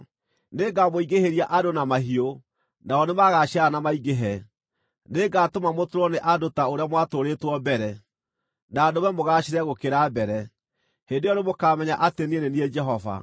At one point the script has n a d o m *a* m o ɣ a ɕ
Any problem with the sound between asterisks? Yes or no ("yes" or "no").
yes